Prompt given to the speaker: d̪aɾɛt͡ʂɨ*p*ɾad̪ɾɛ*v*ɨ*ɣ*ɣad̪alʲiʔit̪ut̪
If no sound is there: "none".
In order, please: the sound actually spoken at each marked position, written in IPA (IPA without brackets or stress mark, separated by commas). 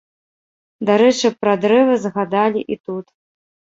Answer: p, v, z